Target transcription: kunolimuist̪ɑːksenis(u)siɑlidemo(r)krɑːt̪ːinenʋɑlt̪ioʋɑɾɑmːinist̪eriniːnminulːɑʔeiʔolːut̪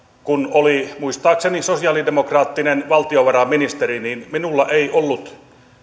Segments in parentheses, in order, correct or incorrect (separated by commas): incorrect, incorrect